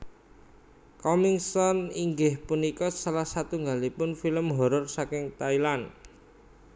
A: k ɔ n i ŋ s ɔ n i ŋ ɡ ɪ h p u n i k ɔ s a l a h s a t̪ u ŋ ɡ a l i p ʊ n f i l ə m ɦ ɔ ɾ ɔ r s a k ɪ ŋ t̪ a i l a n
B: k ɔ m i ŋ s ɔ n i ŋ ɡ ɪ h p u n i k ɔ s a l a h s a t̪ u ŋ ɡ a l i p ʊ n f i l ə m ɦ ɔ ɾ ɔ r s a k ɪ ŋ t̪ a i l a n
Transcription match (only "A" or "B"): B